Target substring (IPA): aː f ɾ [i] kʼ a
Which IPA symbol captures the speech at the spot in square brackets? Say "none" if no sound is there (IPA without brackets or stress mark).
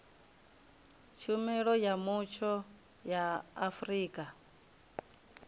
iː